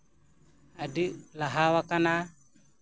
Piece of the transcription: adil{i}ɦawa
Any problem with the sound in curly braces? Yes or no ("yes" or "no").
yes